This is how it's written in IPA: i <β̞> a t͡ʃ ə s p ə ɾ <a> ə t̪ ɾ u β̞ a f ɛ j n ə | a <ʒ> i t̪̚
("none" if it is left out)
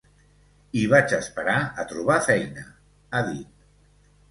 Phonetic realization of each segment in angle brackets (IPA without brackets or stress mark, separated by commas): β̞, a, ð